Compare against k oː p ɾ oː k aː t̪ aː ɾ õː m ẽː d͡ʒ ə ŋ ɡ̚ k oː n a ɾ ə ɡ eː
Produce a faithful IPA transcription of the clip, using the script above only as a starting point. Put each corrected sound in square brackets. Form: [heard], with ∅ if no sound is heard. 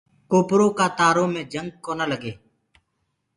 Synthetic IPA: k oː p ɾ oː k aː t̪ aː ɾ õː m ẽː d͡ʒ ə ŋ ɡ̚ k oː n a [l] ə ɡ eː